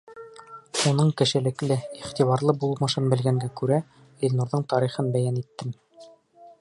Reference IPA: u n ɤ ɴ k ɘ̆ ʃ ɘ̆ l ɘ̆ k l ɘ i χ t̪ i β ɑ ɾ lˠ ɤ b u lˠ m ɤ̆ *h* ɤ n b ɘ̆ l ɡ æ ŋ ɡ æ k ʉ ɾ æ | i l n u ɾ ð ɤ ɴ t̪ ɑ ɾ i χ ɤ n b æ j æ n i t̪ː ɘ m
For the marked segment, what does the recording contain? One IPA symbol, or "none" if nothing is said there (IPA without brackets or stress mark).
ʃ